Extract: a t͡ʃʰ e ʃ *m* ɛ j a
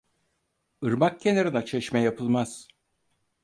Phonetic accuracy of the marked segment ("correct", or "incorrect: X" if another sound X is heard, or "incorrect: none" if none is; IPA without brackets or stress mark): correct